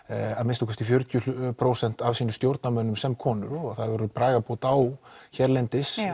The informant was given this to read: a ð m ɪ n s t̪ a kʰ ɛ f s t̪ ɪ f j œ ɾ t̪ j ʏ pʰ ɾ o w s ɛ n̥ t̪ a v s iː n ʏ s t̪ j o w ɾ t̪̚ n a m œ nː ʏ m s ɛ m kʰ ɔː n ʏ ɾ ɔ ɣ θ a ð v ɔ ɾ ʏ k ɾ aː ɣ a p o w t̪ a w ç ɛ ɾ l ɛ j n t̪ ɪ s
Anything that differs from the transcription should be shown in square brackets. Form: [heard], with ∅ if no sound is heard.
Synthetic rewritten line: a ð m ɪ n s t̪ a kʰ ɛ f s t̪ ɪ f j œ ɾ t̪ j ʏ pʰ ɾ o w s ɛ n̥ t̪ a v s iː n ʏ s t̪ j o w ɾ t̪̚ n a m œ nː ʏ m s ɛ m kʰ ɔː n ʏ ɾ ɔ ɣ θ a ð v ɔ ɾ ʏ [p] ɾ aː ɣ a p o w t̪ a w ç ɛ ɾ l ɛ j n t̪ ɪ s